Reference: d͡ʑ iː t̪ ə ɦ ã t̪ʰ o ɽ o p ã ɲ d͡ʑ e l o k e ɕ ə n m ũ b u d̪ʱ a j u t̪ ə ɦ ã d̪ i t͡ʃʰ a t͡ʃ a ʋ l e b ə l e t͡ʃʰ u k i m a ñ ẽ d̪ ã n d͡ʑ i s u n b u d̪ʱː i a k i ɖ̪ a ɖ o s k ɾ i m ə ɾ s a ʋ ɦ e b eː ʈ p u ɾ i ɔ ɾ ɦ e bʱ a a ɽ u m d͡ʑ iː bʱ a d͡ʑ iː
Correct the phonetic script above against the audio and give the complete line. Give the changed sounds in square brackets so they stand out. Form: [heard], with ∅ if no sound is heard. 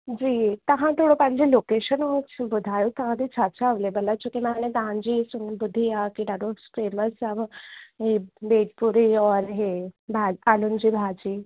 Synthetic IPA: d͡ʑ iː t̪ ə ɦ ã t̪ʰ o ɽ o p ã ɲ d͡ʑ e l o k e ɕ ə n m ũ b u d̪ʱ a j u t̪ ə ɦ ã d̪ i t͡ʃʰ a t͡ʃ a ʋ l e b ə l [a] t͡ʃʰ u k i m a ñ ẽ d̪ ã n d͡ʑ i s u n b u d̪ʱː i a k i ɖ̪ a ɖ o s k ɾ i m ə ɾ s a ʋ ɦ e b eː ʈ p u ɾ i ɔ ɾ ɦ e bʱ a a [l] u [n] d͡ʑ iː bʱ a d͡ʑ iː

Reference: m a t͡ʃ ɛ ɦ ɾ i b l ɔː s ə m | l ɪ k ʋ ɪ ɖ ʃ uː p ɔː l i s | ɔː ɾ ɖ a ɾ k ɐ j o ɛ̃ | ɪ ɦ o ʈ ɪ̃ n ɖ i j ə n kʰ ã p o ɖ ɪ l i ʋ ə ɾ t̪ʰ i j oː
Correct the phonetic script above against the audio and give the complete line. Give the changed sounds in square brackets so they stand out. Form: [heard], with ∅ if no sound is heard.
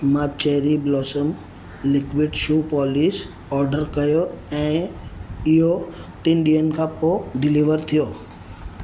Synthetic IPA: m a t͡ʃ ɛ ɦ ɾ i b l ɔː s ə m | l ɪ k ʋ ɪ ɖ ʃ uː p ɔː l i s | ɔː ɾ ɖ [ə] ɾ k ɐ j o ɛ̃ | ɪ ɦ o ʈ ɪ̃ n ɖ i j ə n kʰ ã p o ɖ ɪ l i ʋ ə ɾ t̪ʰ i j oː

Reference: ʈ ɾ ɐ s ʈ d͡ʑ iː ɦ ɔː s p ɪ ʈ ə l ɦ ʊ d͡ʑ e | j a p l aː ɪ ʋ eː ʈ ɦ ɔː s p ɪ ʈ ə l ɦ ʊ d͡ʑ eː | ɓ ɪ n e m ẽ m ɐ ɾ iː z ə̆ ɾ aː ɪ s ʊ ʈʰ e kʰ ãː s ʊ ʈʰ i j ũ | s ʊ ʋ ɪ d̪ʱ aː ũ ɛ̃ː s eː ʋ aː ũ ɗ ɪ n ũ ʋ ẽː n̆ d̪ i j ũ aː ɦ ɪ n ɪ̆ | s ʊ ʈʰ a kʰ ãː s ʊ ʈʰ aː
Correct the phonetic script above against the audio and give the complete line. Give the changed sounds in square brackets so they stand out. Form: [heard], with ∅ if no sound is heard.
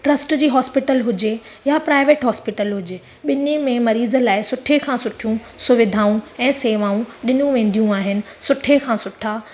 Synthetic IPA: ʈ ɾ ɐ s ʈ d͡ʑ iː ɦ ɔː s p ɪ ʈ ə l ɦ ʊ d͡ʑ e | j a p [ɾ] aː ɪ ʋ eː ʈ ɦ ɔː s p ɪ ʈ ə l ɦ ʊ d͡ʑ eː | ɓ ɪ n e m ẽ m ɐ ɾ iː z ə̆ [l] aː ɪ s ʊ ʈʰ e kʰ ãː s ʊ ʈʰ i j ũ | s ʊ ʋ ɪ d̪ʱ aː ũ ɛ̃ː s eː ʋ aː ũ ɗ ɪ n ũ ʋ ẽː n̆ d̪ i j ũ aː ɦ ɪ n ɪ̆ | s ʊ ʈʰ [e] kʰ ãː s ʊ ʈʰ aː

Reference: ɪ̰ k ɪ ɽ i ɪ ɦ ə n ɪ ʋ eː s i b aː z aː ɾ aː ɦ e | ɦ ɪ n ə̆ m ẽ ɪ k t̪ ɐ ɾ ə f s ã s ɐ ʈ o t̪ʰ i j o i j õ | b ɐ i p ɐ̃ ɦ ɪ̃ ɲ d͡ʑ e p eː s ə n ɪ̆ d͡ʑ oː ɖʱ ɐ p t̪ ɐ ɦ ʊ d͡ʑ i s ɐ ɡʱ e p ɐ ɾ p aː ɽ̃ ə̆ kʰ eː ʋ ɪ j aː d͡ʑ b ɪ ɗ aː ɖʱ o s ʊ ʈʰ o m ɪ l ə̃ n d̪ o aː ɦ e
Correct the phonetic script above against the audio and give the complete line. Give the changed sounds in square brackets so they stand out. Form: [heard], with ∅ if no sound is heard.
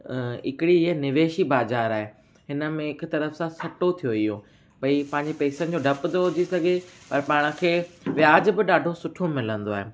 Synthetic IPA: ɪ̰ k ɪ ɽ i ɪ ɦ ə n ɪ ʋ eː [ʃ] i b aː z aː ɾ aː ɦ e | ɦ ɪ n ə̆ m ẽ ɪ k t̪ ɐ ɾ ə f s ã s ɐ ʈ o t̪ʰ i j o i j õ | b ɐ i p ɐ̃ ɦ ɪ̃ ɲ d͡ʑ e p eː s ə n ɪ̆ d͡ʑ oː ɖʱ ɐ p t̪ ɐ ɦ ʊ d͡ʑ i s ɐ ɡʱ e p ɐ ɾ p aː ɽ̃ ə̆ kʰ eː ʋ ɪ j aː d͡ʑ b ɪ ɗ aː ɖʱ o s ʊ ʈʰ o m ɪ l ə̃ n d̪ o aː ɦ e

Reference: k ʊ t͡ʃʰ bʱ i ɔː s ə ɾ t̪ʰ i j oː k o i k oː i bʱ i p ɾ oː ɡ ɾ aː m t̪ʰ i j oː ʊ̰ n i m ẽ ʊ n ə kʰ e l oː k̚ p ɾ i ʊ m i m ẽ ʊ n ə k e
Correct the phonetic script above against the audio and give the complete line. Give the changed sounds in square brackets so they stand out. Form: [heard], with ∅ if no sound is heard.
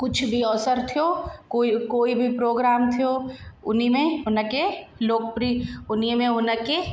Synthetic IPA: k ʊ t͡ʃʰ bʱ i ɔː s ə ɾ t̪ʰ i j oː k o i k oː i bʱ i p ɾ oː ɡ ɾ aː m t̪ʰ i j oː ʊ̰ n i m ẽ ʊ n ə [k] e l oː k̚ p ɾ i ʊ [n] i m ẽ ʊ n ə k e

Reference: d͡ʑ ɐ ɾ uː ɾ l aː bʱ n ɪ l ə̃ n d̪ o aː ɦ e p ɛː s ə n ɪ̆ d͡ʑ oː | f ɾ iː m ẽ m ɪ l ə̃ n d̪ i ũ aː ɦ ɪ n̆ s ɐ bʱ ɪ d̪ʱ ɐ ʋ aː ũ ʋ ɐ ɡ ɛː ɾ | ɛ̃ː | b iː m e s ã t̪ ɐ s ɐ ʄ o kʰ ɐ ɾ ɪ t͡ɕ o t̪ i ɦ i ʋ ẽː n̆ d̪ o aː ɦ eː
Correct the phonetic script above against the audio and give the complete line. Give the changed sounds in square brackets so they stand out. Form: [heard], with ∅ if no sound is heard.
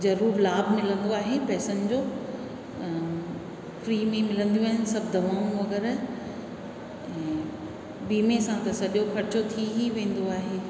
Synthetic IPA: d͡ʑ ɐ ɾ uː ɾ l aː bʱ [m] ɪ l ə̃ n d̪ o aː ɦ e p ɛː s ə n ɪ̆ d͡ʑ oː | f ɾ iː m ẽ m ɪ l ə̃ n d̪ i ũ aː ɦ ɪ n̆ s ɐ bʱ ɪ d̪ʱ ɐ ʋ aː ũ ʋ ɐ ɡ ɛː ɾ | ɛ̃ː | b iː m e s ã t̪ ɐ s ɐ ʄ o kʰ ɐ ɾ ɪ t͡ɕ o [t̪ʰ] i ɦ i ʋ ẽː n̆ d̪ o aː ɦ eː

